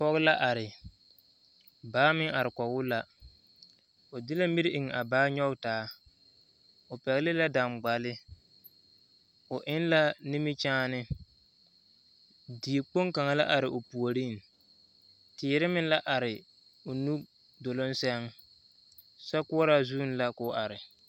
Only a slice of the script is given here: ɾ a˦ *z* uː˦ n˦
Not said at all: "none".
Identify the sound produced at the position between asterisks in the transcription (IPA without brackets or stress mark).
z